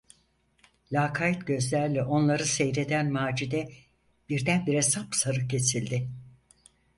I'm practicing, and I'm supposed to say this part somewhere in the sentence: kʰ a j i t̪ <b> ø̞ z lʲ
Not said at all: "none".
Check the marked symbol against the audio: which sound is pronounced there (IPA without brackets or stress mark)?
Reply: ɟ